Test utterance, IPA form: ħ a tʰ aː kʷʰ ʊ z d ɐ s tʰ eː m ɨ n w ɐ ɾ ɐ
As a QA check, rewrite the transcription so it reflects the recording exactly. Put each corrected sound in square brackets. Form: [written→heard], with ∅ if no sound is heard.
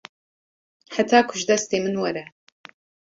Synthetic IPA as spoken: ħ a tʰ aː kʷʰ ʊ [z→ʒ] d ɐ s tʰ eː m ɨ n w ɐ ɾ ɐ

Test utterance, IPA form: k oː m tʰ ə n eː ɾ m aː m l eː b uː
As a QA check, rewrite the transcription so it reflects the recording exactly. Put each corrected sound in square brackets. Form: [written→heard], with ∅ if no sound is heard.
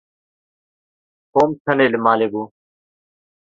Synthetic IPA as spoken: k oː m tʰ ə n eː [ɾ→l] m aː [m→∅] l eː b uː

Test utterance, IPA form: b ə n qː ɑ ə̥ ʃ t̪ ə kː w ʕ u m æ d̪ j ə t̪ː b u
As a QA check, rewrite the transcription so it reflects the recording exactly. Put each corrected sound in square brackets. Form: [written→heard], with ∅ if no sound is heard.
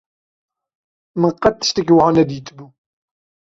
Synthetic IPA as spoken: [b→m] ə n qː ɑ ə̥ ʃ t̪ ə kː w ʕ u [m→n] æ d̪ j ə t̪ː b u

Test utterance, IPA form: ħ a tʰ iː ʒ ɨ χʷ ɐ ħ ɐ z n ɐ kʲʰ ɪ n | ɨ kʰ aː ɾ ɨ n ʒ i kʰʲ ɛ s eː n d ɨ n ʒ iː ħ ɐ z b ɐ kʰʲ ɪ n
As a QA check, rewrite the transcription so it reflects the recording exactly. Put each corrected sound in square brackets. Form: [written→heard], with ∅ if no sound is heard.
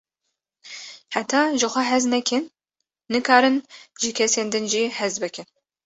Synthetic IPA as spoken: ħ a tʰ [iː→aː] ʒ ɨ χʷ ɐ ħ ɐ z n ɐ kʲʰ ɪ [n→nː] | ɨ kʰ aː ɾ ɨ n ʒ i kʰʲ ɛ s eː n d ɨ n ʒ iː ħ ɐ z b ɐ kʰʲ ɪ n

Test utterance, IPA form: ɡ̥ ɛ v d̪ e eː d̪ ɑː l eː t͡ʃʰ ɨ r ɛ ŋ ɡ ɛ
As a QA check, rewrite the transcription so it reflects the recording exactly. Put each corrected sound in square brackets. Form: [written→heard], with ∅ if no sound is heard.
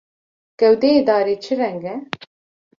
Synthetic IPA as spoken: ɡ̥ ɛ [v→w] d̪ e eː d̪ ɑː [l→ɾ] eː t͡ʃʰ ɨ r ɛ ŋ ɡ ɛ

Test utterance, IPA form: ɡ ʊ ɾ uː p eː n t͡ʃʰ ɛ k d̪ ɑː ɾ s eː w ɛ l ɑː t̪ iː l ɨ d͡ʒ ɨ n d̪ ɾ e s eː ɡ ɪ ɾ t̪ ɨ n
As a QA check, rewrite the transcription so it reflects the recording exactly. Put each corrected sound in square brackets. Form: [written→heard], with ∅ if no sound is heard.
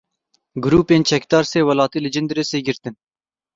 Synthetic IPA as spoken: ɡ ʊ ɾ uː p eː n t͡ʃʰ ɛ k d̪ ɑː ɾ s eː w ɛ l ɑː t̪ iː l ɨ d͡ʒ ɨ n d̪ ɾ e s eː ɡ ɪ ɾ t̪ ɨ n

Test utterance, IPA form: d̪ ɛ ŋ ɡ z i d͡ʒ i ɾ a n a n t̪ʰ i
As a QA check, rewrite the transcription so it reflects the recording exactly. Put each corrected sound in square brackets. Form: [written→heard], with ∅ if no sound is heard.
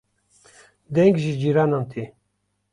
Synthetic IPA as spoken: d̪ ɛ ŋ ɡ [z→ʒ] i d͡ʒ i ɾ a n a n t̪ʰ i

